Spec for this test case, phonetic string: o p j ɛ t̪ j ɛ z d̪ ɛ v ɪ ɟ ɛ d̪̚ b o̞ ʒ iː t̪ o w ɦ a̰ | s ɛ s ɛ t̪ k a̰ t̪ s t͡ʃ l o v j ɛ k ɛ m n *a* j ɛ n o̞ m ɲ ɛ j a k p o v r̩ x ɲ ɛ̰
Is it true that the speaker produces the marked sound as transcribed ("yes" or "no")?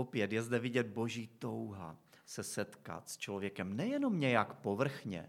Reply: no